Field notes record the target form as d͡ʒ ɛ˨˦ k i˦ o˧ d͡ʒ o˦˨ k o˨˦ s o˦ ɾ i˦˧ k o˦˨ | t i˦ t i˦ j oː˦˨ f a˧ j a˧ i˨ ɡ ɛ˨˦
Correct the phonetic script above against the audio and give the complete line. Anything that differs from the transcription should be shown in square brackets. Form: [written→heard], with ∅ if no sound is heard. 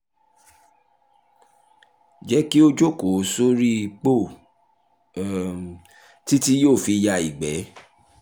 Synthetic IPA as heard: d͡ʒ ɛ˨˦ k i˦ o˧ d͡ʒ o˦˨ k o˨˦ s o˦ ɾ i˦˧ [k→k͡p] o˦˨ | t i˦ t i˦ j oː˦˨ f [a˧→i˧] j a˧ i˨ [ɡ→ɡ͡b] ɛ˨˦